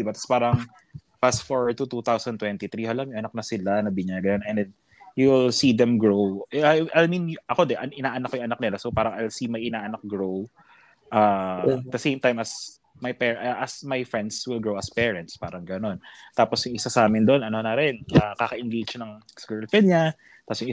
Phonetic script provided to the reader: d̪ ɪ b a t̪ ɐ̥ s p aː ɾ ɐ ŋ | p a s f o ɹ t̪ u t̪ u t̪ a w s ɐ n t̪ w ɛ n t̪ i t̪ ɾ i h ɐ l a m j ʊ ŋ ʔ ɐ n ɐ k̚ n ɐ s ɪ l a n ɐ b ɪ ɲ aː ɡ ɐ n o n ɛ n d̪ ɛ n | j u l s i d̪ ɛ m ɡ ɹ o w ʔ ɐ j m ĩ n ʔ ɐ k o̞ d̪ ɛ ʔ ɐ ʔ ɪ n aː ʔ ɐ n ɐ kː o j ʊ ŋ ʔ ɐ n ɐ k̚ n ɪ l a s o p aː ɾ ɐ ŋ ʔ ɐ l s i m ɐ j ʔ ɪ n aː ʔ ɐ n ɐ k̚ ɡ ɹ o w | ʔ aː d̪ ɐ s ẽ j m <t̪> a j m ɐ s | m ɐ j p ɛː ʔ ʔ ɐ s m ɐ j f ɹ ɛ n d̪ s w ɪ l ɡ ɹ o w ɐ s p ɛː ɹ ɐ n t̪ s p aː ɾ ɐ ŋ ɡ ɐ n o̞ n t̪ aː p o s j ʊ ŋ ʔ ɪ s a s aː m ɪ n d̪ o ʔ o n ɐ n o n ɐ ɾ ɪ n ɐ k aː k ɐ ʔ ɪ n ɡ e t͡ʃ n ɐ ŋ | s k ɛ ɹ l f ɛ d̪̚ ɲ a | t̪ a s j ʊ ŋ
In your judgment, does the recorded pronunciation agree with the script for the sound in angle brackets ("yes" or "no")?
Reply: yes